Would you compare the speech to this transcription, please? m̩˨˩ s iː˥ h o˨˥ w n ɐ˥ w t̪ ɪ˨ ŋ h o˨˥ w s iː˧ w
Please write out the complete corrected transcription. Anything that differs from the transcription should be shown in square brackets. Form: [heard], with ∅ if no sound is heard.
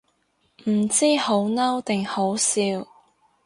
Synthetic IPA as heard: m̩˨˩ [t͡s] iː˥ h o˨˥ w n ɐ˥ w t̪ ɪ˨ ŋ h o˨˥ w s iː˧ w